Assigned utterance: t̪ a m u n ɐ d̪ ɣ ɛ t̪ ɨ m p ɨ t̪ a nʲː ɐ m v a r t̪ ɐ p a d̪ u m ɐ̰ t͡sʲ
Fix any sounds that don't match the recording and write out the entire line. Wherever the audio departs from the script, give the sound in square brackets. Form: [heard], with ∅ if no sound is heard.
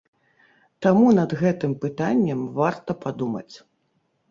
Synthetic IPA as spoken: t̪ a m u n ɐ d̪ ɣ ɛ t̪ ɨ m p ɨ t̪ a nʲː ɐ m v a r t̪ ɐ p a d̪ u m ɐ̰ t͡sʲ